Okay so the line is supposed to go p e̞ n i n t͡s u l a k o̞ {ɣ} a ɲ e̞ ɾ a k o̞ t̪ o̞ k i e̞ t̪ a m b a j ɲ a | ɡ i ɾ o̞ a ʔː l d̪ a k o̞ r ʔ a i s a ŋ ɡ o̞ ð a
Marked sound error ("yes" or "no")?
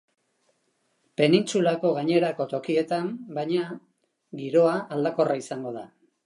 no